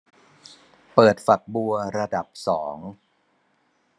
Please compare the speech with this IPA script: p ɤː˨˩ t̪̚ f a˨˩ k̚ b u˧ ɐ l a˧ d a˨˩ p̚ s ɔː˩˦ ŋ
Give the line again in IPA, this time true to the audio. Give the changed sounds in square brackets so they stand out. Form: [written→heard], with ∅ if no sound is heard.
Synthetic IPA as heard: p ɤː˨˩ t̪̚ f a˨˩ k̚ b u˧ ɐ [l→ɾ] a˧ d a˨˩ p̚ s ɔː˩˦ ŋ

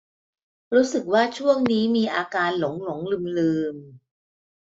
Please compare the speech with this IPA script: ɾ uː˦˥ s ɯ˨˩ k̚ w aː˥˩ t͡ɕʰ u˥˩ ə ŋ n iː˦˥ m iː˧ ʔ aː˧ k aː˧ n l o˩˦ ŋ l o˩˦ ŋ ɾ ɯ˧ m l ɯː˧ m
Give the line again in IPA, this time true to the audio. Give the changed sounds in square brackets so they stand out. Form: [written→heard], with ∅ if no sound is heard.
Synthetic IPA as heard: ɾ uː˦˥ s ɯ˨˩ k̚ w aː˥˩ t͡ɕʰ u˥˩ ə ŋ n iː˦˥ m iː˧ ʔ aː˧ k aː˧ n l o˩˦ ŋ l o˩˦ ŋ [ɾ→l] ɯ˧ m l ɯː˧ m

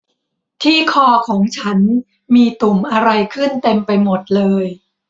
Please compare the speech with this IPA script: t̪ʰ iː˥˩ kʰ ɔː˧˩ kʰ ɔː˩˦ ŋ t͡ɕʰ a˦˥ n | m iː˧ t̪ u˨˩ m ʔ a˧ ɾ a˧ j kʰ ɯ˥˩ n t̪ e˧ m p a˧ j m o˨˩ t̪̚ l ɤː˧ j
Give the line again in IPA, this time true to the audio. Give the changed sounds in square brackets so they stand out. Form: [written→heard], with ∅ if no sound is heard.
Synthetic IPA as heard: t̪ʰ iː˥˩ kʰ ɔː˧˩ kʰ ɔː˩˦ ŋ t͡ɕʰ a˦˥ n | m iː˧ t̪ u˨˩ m ʔ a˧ ɾ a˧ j kʰ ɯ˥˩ n t̪ e˧ m p a˧ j m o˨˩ t̪̚ l ɤː˧ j

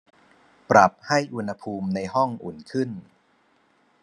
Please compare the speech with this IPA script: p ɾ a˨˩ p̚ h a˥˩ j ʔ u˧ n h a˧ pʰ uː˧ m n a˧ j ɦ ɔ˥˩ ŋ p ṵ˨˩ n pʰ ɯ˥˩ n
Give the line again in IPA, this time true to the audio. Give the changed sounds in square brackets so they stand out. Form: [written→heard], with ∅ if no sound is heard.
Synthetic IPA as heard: p ɾ a˨˩ p̚ h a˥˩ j ʔ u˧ n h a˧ pʰ uː˧ m n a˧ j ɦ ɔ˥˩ ŋ [p→ʔ] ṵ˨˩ n [pʰ→kʰ] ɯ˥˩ n

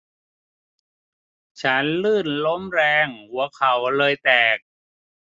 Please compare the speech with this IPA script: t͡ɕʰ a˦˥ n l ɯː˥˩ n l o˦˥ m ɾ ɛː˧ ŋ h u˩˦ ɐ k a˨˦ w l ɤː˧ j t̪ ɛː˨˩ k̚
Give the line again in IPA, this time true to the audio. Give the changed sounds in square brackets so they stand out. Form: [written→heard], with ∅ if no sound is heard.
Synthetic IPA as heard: t͡ɕʰ a˦˥ n l ɯː˥˩ n l o˦˥ m ɾ ɛː˧ ŋ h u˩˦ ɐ [k→kʰ] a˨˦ w l ɤː˧ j t̪ ɛː˨˩ k̚

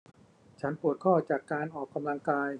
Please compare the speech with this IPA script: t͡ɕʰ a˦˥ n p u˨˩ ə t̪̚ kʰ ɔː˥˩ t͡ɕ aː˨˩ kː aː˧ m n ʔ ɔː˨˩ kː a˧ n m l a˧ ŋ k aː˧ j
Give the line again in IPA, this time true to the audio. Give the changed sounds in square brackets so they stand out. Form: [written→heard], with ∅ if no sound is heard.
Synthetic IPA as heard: t͡ɕʰ a˦˥ n p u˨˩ ə t̪̚ kʰ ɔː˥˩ t͡ɕ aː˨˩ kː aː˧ [m→∅] n ʔ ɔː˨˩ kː a˧ [n→∅] m l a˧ ŋ k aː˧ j

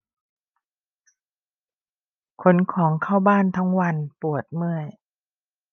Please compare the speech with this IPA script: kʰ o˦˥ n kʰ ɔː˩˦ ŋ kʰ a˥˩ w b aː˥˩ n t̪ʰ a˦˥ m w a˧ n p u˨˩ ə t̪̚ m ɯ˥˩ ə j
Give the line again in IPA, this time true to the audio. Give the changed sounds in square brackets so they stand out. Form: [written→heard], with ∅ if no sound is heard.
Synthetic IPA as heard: kʰ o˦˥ n kʰ ɔː˩˦ ŋ kʰ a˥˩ w b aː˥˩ n t̪ʰ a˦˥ [m→ŋ] w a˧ n p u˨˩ ə t̪̚ m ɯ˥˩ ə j

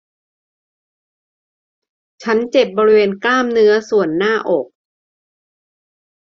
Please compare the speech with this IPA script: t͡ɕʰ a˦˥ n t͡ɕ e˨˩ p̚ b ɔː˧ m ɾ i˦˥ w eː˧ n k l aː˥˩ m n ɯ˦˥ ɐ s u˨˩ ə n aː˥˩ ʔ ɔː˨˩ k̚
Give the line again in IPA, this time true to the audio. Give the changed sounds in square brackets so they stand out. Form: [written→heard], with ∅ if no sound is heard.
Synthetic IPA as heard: t͡ɕʰ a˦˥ n t͡ɕ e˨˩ p̚ b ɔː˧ [m→∅] ɾ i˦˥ w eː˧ n k l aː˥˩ m n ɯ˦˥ ɐ s u˨˩ ə [n→nː] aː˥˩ ʔ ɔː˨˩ k̚

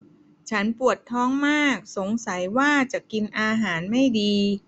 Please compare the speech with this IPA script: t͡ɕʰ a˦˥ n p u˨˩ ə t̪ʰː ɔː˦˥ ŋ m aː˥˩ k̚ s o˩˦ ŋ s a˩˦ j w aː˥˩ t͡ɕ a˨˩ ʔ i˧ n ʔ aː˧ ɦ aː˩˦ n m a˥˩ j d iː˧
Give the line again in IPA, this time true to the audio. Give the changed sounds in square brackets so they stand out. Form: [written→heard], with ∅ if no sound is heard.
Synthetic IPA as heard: t͡ɕʰ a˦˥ n p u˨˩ ə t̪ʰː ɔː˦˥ ŋ m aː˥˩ k̚ s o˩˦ ŋ s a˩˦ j w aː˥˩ t͡ɕ a˨˩ [ʔ→k] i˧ n ʔ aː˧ ɦ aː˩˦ n m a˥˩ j d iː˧

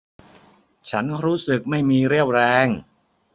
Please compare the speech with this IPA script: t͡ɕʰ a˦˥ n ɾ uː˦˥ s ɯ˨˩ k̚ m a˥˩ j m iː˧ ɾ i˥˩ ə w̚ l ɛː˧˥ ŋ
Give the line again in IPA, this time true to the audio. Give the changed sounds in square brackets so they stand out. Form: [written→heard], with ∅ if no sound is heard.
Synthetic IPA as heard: t͡ɕʰ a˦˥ n ɾ uː˦˥ s ɯ˨˩ k̚ m a˥˩ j m iː˧ ɾ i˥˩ ə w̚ [l→ɾ] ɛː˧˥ ŋ

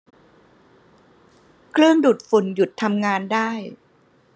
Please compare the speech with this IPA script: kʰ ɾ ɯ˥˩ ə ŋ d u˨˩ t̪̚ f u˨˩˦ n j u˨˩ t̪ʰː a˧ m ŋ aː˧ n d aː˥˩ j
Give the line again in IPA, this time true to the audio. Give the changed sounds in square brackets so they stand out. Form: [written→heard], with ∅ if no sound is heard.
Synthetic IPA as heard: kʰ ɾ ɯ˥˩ ə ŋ d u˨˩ t̪̚ f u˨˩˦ n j u˨˩ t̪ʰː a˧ m ŋ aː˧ n d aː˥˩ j

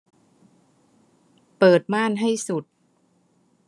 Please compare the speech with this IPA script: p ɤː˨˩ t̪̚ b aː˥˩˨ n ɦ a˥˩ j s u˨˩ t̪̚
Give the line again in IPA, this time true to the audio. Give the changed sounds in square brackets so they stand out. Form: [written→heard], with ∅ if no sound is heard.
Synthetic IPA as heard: p ɤː˨˩ t̪̚ [b→m] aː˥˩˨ n ɦ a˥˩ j s u˨˩ t̪̚

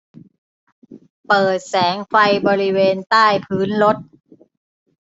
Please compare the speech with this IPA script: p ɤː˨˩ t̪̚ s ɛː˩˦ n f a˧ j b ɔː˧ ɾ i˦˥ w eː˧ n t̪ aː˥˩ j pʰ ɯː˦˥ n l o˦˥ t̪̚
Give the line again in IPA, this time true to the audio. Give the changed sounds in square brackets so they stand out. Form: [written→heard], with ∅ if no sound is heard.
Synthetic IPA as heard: p ɤː˨˩ t̪̚ s ɛː˩˦ [n→ŋ] f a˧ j b ɔː˧ ɾ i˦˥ w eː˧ n t̪ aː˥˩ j pʰ ɯː˦˥ n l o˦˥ t̪̚

